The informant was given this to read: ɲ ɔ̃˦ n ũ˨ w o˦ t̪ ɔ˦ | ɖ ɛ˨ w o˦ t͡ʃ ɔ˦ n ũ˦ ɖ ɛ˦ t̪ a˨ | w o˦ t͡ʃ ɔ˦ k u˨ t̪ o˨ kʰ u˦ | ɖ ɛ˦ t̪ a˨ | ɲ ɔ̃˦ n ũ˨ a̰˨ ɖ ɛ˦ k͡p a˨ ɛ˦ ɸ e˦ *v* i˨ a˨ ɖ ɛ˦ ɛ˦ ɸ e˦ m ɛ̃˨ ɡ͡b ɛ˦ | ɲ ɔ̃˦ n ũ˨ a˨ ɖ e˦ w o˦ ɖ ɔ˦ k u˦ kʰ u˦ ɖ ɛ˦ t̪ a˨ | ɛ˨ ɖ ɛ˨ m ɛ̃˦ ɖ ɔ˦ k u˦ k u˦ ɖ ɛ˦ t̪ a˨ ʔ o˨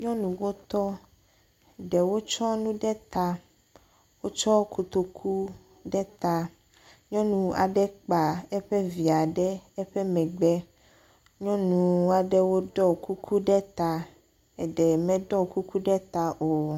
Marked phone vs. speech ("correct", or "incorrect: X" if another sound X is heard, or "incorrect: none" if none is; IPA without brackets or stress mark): correct